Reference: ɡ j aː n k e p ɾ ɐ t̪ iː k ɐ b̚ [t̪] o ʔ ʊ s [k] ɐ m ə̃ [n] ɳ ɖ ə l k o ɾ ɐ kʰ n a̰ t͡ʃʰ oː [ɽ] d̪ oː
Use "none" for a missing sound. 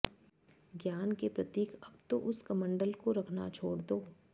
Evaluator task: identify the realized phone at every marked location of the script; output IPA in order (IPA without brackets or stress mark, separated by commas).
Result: t̪, k, none, ɽ